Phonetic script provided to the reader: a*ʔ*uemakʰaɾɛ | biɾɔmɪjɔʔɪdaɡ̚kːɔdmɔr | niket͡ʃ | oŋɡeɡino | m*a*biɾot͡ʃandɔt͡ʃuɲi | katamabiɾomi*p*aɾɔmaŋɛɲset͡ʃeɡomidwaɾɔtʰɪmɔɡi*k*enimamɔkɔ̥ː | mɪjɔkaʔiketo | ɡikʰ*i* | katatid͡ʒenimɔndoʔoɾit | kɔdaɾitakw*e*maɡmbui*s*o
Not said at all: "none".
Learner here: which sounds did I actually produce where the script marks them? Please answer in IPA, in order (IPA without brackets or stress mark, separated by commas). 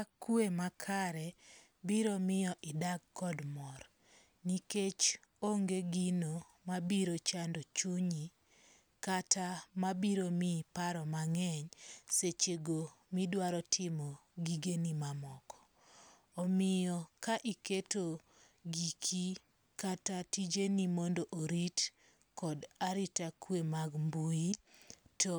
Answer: k, a, p, ɡ, i, e, t